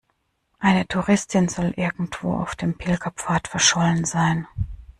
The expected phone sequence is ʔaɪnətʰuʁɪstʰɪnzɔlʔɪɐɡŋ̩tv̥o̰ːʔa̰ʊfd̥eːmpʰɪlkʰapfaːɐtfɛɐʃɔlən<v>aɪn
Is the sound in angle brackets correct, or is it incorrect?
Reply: incorrect: z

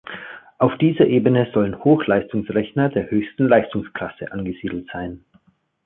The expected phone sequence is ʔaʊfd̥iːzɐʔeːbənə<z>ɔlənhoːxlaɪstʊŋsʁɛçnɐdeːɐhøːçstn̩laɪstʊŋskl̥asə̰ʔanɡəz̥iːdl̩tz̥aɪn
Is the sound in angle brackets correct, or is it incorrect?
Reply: correct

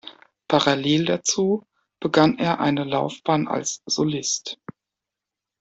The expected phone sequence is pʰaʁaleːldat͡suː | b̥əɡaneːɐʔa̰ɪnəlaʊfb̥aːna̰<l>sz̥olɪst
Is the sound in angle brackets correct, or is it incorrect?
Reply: correct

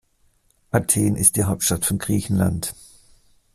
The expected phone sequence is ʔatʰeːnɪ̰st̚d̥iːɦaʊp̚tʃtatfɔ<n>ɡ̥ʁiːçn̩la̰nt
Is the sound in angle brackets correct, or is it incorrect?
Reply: correct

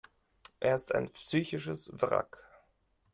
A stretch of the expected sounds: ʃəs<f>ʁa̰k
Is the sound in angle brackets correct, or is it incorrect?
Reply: incorrect: v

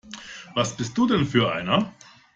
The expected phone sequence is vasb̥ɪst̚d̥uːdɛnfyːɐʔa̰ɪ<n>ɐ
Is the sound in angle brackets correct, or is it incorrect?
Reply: correct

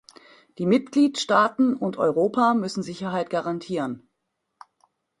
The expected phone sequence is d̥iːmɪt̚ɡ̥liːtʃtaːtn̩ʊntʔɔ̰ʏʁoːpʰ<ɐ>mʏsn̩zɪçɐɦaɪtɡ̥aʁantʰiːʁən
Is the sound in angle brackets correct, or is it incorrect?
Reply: incorrect: a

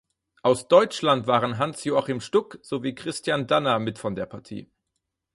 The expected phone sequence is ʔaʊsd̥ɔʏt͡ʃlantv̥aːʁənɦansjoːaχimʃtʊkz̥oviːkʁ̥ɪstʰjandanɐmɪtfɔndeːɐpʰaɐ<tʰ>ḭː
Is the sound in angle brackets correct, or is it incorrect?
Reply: correct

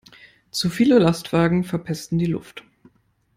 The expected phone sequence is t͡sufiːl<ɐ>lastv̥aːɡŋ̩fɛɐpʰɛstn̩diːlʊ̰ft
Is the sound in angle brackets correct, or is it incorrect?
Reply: incorrect: ə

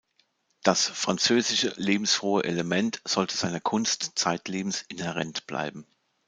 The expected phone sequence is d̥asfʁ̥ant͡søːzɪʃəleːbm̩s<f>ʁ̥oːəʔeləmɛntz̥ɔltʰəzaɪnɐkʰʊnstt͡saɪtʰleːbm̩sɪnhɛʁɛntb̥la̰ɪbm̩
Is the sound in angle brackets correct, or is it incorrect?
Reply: correct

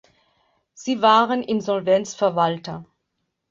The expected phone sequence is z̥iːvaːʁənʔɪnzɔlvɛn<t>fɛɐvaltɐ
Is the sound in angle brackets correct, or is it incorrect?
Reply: incorrect: t͡s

